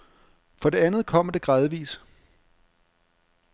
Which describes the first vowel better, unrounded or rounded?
rounded